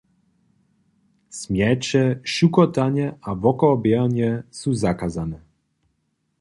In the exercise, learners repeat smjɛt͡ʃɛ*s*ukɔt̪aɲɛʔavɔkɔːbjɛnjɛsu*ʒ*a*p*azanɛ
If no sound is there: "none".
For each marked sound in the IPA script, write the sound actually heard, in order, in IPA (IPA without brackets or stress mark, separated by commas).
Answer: ʃ, z, k